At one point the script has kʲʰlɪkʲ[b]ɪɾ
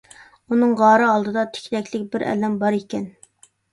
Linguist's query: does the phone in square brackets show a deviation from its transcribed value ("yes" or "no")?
no